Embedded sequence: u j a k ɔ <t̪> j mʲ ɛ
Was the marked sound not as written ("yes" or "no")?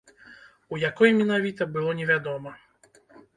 yes